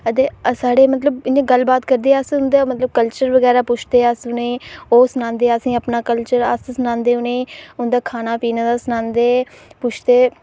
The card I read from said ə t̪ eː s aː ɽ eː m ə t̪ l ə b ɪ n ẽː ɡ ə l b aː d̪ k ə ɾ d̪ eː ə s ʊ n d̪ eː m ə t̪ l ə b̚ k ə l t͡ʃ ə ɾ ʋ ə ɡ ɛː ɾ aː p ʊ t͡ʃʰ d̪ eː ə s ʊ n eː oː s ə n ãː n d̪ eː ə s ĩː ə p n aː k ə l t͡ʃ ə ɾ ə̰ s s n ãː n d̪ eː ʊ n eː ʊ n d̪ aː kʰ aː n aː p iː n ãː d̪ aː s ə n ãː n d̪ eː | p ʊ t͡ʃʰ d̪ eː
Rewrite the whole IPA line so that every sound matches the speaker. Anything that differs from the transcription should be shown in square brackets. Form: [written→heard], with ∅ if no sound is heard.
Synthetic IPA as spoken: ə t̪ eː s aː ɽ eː m ə t̪ l ə b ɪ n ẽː ɡ ə l b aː [d̪→t̪] k ə ɾ d̪ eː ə s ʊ n d̪ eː m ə t̪ l ə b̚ k ə l t͡ʃ ə ɾ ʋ ə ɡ ɛː ɾ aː p ʊ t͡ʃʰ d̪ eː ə s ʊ n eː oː s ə n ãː n d̪ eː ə s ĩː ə p n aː k ə l t͡ʃ ə ɾ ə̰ s s n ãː n d̪ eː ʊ n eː ʊ n d̪ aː kʰ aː n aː p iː n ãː d̪ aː s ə n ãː n d̪ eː | p ʊ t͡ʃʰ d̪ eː